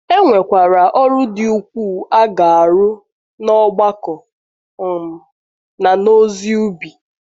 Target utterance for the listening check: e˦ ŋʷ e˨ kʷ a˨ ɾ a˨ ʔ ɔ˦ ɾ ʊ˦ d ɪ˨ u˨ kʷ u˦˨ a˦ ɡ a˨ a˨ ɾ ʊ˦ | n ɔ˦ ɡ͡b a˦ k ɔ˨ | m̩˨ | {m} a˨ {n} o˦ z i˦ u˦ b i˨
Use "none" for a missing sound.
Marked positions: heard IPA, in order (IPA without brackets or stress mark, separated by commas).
n, n